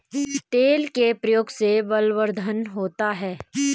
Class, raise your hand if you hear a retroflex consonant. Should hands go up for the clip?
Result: no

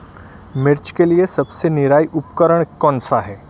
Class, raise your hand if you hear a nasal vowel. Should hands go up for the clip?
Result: no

